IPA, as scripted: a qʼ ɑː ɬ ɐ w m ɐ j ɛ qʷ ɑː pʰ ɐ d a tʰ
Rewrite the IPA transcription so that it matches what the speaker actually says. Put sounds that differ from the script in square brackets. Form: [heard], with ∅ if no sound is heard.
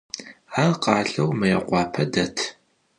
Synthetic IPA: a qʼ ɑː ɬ ɐ w m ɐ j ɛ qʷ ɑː pʰ ɐ d [ɐ] tʰ